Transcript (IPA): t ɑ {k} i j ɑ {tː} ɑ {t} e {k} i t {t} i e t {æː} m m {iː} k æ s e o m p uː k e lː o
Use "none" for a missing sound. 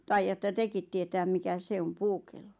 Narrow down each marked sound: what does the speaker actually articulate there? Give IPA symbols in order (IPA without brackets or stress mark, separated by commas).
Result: none, tː, t, k, t, æː, i